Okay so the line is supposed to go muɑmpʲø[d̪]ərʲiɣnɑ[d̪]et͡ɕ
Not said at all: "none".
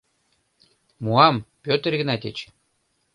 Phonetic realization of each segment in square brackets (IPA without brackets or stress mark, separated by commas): t̪, t̪